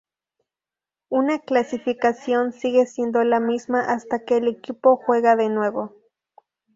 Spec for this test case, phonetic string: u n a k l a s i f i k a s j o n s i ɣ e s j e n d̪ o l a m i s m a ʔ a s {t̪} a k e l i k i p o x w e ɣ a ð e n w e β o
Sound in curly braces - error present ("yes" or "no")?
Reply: no